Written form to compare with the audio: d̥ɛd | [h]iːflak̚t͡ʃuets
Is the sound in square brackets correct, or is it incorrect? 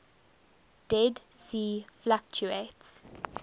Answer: incorrect